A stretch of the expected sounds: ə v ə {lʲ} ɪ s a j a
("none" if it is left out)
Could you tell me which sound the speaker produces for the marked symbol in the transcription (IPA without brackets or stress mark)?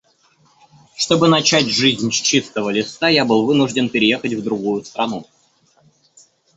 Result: lʲ